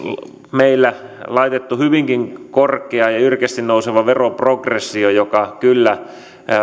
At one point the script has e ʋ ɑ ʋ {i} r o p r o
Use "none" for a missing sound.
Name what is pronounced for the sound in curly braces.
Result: e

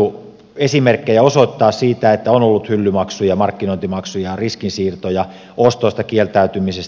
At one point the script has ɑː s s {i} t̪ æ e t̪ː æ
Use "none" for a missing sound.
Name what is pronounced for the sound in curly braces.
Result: iː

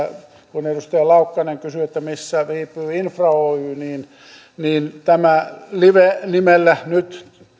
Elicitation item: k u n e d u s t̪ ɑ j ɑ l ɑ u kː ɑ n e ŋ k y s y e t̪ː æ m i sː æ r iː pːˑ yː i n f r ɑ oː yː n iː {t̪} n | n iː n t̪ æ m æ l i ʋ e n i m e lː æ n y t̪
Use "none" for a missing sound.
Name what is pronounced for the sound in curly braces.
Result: none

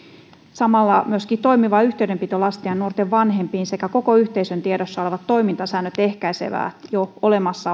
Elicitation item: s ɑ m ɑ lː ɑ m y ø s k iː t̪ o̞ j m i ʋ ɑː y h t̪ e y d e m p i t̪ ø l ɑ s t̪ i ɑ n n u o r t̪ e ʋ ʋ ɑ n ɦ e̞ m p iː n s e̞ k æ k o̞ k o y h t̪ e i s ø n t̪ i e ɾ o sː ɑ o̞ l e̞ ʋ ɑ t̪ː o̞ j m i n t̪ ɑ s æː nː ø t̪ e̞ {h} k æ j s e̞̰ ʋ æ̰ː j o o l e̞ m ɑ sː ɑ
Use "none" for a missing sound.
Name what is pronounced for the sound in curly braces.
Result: h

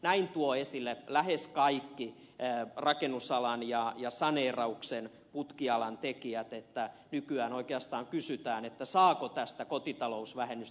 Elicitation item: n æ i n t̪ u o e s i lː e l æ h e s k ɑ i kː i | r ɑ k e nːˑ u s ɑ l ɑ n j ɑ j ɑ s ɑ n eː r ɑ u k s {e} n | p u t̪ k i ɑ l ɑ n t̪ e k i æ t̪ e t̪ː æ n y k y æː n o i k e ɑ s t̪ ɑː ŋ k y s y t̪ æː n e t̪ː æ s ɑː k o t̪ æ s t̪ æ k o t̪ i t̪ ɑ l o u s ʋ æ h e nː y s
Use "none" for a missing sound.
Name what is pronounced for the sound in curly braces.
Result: e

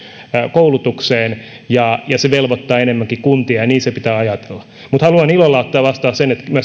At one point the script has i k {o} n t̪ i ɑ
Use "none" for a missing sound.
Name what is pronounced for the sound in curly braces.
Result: u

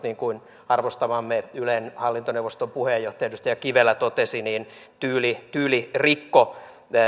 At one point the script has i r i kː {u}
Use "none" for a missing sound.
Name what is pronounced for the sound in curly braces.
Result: o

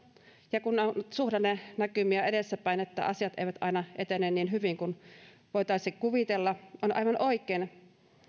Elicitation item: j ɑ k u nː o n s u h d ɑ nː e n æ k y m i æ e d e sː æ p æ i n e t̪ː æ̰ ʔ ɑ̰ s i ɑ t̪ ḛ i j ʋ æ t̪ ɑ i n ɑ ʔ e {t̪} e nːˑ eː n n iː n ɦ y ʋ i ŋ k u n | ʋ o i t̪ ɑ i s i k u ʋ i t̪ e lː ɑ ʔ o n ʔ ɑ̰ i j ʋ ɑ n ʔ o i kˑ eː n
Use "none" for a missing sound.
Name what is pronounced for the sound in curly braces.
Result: t̪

